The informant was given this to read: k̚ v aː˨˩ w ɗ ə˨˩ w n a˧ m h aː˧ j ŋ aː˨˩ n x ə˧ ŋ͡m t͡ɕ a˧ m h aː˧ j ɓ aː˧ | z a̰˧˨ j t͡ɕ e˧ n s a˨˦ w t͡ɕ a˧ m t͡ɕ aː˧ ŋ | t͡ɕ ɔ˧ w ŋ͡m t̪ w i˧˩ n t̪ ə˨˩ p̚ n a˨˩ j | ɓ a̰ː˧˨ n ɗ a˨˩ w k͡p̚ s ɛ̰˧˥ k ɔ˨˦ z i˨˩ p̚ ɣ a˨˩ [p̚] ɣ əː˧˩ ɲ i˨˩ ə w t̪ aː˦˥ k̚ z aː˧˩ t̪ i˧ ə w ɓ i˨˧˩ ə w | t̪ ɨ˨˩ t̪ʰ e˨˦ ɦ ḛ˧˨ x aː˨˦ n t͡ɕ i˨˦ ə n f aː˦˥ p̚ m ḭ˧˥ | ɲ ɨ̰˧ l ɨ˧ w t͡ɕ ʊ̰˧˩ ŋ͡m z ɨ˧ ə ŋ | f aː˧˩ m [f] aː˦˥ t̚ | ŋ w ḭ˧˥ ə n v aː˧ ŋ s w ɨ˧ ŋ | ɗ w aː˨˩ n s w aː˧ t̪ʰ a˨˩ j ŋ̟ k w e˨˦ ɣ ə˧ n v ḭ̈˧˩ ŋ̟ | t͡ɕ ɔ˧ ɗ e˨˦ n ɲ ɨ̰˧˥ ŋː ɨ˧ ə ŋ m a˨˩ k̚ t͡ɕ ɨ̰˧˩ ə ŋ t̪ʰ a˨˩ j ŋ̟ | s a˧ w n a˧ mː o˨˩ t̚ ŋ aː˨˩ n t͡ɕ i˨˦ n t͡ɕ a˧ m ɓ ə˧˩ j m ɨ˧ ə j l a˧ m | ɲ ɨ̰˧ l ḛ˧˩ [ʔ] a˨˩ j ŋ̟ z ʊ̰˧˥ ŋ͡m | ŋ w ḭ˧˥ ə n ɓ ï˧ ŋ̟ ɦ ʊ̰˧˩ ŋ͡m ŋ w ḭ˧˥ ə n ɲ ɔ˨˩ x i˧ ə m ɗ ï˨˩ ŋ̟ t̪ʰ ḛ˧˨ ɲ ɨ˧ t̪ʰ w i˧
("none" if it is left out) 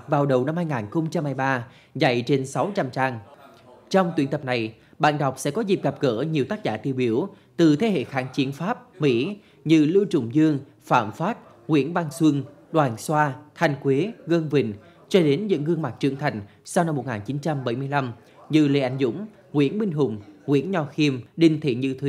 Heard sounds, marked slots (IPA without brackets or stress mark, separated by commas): p̚, f, ʔ